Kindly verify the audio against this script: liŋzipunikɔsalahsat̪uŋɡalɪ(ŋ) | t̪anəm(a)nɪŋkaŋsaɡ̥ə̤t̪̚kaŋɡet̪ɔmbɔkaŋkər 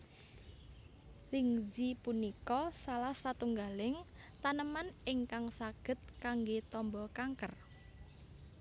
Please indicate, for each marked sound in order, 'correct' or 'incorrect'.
correct, correct

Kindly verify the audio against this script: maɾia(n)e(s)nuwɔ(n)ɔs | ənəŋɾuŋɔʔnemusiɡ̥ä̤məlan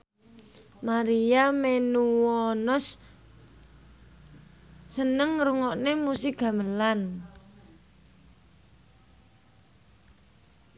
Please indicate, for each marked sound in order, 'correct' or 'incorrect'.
incorrect, incorrect, correct

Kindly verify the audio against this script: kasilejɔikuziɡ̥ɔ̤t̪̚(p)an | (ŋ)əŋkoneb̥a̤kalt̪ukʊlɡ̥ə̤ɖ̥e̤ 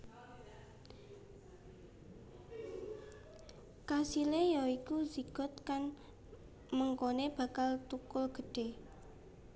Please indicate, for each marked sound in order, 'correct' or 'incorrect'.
incorrect, incorrect

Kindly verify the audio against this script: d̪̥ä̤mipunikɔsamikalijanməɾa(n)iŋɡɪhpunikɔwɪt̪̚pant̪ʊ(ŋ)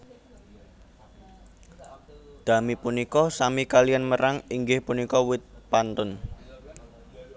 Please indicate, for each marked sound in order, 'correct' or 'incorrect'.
incorrect, incorrect

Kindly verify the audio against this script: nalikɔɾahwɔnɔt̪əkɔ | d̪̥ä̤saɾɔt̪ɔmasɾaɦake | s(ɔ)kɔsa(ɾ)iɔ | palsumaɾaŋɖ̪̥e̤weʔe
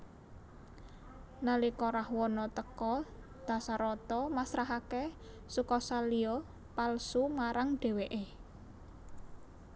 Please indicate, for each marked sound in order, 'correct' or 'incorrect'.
incorrect, incorrect

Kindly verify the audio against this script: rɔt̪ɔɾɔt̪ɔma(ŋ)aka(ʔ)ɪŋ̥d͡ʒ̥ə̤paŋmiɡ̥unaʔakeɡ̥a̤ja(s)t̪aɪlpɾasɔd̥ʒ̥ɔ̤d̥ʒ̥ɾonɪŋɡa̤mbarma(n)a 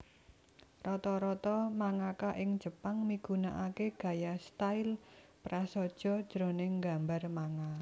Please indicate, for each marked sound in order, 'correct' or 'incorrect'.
correct, correct, correct, incorrect

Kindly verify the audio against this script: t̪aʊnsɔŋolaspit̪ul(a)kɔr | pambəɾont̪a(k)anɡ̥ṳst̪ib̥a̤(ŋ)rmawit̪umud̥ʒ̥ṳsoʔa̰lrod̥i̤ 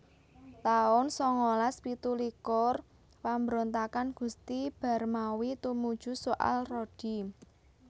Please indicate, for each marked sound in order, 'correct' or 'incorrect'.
incorrect, correct, incorrect

